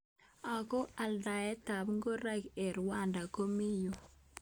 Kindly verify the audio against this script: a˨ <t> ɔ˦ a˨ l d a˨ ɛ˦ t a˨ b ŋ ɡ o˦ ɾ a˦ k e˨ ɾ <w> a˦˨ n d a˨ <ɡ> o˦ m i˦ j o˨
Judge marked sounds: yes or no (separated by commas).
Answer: no, yes, no